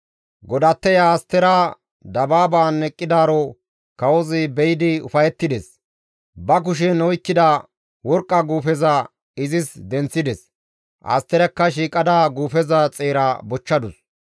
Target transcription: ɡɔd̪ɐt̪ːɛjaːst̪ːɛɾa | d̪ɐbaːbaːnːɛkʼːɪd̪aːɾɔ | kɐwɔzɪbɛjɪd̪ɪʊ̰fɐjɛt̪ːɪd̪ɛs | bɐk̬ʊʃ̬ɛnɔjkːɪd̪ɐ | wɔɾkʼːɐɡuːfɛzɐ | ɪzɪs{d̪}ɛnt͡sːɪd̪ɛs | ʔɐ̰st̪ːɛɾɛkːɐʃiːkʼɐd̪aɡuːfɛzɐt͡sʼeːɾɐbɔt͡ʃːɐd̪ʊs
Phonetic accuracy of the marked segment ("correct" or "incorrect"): correct